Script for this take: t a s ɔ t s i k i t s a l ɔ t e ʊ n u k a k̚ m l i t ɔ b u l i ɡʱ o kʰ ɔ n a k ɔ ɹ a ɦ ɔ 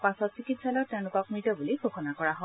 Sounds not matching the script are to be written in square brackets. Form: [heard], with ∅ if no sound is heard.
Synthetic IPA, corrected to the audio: [p] a s ɔ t s i k i t s a l ɔ t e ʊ n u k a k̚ m [ɹ] i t ɔ b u l i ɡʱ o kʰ ɔ n a k ɔ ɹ a ɦ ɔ

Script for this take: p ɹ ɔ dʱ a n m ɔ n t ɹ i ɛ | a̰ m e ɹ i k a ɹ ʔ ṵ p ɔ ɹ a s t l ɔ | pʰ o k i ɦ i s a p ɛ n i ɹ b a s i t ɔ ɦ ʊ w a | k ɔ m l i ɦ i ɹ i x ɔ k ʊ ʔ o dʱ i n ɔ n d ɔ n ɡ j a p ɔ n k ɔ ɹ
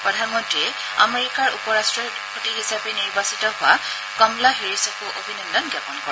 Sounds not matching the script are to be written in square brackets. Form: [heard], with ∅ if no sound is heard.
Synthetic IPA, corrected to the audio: p ɹ ɔ dʱ a n m ɔ n t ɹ i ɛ | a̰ m e ɹ i k a ɹ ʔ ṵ p ɔ ɹ a s t [ɹ] ɔ | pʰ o [t] i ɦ i s a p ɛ n i ɹ b a s i t ɔ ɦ ʊ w a | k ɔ m l [a] ɦ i ɹ i [s] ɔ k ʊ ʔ o [bʱ] i n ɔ n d ɔ n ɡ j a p ɔ n k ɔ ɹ

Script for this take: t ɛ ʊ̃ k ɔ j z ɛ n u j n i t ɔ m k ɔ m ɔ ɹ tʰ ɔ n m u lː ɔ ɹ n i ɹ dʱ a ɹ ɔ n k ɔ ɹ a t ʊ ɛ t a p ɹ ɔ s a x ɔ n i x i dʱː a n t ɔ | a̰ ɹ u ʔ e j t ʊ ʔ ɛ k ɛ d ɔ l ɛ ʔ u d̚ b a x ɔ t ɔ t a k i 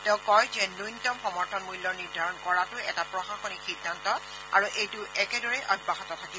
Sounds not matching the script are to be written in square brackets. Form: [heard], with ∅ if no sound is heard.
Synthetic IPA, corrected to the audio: t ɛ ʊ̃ k ɔ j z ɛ n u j n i t ɔ m [x] ɔ m ɔ ɹ tʰ ɔ n m u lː ɔ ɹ n i ɹ dʱ a ɹ ɔ n k ɔ ɹ a t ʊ ɛ t a p ɹ ɔ [x] a x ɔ n i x i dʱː a n t ɔ | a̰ ɹ u ʔ e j t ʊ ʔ ɛ k ɛ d ɔ [ɹ] ɛ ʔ [ɔ] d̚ b a x ɔ t ɔ [tʰ] a k i

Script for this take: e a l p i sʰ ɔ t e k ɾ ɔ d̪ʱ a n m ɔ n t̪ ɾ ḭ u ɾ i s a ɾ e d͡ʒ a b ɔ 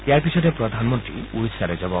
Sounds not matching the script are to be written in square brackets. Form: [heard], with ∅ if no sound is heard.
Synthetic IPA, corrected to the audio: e a [ɾ] p i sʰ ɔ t e [p] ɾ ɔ d̪ʱ a n m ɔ n t̪ ɾ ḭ u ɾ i s a ɾ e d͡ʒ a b ɔ

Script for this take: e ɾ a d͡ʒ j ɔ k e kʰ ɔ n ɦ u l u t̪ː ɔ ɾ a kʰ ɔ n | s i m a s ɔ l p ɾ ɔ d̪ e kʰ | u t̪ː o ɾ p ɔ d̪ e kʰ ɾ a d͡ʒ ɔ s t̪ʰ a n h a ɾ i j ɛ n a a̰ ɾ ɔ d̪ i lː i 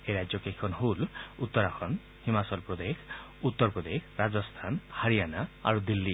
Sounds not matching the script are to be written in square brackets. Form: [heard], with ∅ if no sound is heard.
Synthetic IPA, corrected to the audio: e ɾ a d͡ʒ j ɔ k e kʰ ɔ n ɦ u l u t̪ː ɔ ɾ a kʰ ɔ n | [h] i m a s ɔ l p ɾ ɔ d̪ e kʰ | u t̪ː [ɔ] ɾ p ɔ d̪ e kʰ ɾ a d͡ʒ ɔ s t̪ʰ a n h a ɾ i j [a] n a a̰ ɾ [u] d̪ i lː i

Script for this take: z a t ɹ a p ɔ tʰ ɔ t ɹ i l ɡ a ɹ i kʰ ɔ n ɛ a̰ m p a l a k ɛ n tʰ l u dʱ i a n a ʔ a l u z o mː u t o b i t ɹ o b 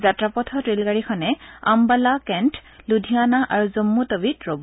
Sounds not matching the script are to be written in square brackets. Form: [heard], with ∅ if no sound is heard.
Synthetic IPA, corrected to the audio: z a t ɹ a p ɔ tʰ ɔ t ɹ i l ɡ a ɹ i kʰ ɔ n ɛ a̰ m [b] a l a k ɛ n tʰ l u dʱ i a n a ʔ a [ɹ] u z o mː u t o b i t ɹ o b

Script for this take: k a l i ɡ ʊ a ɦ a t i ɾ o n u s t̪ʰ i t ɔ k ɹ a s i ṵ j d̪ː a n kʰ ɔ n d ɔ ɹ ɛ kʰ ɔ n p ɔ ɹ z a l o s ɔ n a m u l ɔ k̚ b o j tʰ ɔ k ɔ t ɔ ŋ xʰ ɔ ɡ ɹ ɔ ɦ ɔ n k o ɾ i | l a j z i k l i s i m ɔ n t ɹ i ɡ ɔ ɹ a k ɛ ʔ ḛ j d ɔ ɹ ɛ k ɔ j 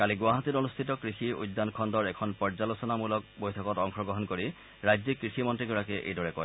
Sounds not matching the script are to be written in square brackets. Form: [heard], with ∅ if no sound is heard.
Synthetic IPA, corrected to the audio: k a l i ɡ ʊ a ɦ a t i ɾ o n u s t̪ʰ i t ɔ k ɹ [i] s i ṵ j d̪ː a n kʰ ɔ n d ɔ ɹ ɛ kʰ ɔ n p ɔ ɹ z a l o s ɔ n a m u l ɔ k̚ b o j tʰ ɔ k ɔ t ɔ ŋ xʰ ɔ ɡ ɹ ɔ ɦ ɔ n k o [ɹ] i | [ɹ] a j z i k [ɹ] i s i m ɔ n t ɹ i ɡ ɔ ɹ a k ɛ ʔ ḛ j d ɔ ɹ ɛ k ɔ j

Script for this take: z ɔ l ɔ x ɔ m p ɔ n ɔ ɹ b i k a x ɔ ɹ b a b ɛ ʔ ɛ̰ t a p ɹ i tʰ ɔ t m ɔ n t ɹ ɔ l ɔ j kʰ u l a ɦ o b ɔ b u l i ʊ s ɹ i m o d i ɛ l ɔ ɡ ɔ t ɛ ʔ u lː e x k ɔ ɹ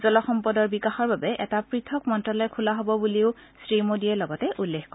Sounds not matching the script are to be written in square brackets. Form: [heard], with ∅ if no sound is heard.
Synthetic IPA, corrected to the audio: z ɔ l ɔ x ɔ m p ɔ [d] ɔ ɹ b i k a x ɔ ɹ b a b ɛ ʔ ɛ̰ t a p ɹ i tʰ ɔ [k] m ɔ n t ɹ ɔ l ɔ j kʰ u l a ɦ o b ɔ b u l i ʊ s ɹ i m o d i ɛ l ɔ ɡ ɔ t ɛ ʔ u lː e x k ɔ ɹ

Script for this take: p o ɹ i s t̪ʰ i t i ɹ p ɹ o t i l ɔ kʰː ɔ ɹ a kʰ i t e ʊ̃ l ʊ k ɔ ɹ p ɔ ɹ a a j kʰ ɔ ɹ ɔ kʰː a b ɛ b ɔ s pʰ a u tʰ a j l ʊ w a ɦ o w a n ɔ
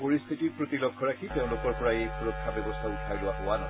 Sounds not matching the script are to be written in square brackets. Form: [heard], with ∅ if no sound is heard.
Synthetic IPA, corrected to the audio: p o ɹ i s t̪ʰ i t i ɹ p ɹ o t i l ɔ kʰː ɔ ɹ a kʰ i t e ʊ̃ l ʊ k ɔ ɹ p ɔ ɹ a [e] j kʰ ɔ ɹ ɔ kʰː a b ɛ b ɔ s [tʰ] a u tʰ a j l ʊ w a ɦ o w a n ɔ

